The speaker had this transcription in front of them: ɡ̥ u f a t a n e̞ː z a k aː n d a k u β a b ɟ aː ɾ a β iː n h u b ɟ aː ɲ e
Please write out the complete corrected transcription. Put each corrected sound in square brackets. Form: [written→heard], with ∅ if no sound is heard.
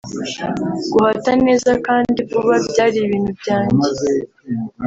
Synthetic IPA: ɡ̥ u [f→h] a t a n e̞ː z a k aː n d [a→i] k u β a b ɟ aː ɾ [a→i] β iː n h u b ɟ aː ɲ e